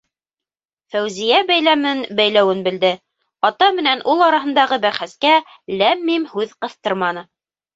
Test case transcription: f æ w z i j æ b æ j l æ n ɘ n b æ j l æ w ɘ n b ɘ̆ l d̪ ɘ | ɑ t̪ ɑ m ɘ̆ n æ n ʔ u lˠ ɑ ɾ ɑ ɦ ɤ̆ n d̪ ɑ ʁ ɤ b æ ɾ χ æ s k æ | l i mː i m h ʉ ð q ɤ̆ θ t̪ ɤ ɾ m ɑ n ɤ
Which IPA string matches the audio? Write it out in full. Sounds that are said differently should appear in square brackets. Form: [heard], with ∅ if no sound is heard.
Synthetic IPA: f æ w z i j æ b æ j l æ [m] ɘ n b æ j l æ w ɘ n b ɘ̆ l d̪ ɘ | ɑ t̪ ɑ m ɘ̆ n æ n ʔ u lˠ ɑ ɾ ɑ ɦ ɤ̆ n d̪ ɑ ʁ ɤ b æ ɾ χ æ s k æ | l [æ] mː i m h ʉ ð q ɤ̆ θ t̪ ɤ ɾ m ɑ n ɤ